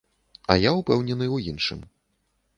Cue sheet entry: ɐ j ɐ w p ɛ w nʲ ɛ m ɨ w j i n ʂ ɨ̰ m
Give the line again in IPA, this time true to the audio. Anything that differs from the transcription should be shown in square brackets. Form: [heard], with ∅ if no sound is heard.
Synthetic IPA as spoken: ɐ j [a] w p ɛ w nʲ ɛ [n] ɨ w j i n ʂ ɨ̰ m